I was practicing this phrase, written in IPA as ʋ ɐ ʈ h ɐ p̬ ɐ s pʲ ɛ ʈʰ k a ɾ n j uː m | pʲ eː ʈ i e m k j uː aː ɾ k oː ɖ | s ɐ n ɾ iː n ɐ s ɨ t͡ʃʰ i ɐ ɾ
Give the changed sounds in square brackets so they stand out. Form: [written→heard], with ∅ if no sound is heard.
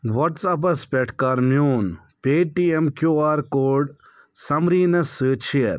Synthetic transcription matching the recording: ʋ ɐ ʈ [h→s] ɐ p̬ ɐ s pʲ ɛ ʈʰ k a ɾ [n→m] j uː [m→n] | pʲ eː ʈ i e m k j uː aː ɾ k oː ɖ | s ɐ [n→m] ɾ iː n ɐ s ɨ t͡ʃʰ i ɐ ɾ